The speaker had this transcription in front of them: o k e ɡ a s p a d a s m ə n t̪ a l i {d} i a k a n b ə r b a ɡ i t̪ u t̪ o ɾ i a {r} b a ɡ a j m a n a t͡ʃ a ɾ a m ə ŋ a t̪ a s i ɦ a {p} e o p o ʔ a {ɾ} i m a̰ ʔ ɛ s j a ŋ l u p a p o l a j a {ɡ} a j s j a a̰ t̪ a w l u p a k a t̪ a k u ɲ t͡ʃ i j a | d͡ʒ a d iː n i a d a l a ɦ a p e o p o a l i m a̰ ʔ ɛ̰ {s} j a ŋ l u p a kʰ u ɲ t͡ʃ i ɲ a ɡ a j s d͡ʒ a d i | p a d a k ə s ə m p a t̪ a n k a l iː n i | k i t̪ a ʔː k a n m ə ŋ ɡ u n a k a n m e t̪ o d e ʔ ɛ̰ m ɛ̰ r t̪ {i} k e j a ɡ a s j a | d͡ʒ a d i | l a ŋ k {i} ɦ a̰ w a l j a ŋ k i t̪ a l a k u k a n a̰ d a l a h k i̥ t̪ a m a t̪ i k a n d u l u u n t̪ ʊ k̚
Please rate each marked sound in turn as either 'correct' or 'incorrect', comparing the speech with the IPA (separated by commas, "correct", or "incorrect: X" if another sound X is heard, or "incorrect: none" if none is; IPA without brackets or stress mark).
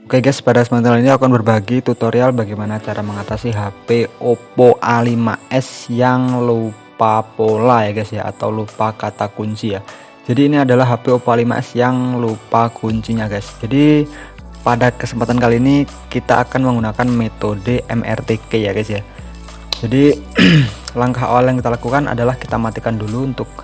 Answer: incorrect: n, incorrect: l, correct, incorrect: l, correct, correct, incorrect: e, incorrect: a